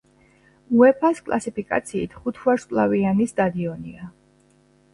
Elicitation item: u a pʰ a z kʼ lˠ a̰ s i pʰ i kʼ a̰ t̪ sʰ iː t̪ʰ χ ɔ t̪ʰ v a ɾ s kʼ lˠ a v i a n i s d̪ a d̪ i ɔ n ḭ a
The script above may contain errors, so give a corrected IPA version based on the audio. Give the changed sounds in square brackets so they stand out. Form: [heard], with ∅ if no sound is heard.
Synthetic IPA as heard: u [ɛ] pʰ a [s] kʼ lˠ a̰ s i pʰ i kʼ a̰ t̪ sʰ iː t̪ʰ χ [u] t̪ʰ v a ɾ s kʼ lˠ a v i a n i s d̪ a d̪ i ɔ n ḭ a